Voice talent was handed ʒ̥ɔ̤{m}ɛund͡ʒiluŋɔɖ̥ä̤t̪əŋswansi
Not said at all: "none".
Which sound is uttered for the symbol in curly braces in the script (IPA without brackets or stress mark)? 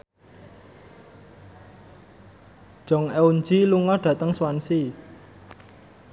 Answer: ŋ